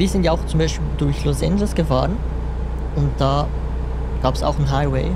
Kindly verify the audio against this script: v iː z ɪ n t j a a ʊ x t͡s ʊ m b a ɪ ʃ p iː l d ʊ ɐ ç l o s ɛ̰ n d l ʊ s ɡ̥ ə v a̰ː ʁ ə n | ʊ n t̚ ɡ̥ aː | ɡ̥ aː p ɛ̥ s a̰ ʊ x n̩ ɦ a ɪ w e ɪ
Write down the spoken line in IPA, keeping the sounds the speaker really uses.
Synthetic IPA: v iː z ɪ n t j a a ʊ x t͡s ʊ m b a ɪ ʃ p iː l d ʊ ɐ ç l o s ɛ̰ n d l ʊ s ɡ̥ ə f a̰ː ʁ ə n | ʊ n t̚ d̥ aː | ɡ̥ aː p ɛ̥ s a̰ ʊ x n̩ ɦ a ɪ w e ɪ